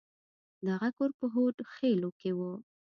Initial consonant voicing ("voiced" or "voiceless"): voiced